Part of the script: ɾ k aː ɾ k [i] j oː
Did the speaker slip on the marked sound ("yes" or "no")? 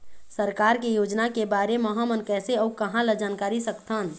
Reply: yes